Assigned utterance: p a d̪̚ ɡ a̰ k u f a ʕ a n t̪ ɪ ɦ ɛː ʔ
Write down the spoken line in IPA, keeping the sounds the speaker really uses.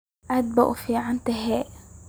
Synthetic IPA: ʔ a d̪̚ b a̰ ʔ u f i ʕ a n t̪ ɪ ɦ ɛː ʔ